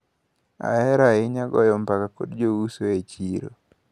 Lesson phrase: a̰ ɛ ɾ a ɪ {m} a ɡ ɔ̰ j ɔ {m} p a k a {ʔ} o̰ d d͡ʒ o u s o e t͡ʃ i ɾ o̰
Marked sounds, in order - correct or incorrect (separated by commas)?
incorrect, correct, incorrect